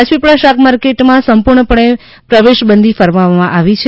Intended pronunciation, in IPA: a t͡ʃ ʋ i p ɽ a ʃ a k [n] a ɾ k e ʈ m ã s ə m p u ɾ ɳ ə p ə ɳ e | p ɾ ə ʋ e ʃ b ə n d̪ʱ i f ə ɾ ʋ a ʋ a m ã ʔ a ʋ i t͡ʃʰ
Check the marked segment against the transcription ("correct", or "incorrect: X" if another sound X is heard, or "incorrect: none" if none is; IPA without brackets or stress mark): incorrect: m